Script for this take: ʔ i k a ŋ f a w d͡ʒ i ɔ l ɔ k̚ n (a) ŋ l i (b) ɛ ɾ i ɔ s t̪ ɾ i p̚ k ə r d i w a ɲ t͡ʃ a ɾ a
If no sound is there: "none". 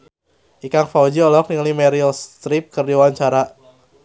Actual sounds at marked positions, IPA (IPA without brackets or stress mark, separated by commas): i, m